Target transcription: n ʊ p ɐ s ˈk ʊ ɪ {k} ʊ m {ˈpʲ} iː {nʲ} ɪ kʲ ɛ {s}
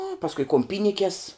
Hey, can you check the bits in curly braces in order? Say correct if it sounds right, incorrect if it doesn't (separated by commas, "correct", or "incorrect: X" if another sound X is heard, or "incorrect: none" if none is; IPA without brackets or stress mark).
correct, correct, correct, correct